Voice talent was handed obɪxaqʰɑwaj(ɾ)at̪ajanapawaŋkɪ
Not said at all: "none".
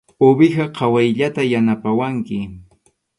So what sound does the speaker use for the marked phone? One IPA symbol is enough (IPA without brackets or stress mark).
ʎ